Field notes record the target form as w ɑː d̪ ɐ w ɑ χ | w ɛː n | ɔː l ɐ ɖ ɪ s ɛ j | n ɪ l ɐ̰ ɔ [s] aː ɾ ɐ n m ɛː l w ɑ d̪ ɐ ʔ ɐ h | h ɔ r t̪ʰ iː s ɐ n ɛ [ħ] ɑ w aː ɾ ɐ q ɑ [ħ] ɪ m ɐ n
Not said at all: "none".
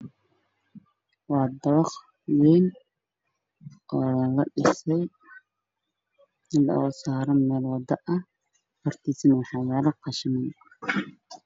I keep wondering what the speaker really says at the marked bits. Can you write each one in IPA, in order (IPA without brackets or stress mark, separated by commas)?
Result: s, ħ, ʃ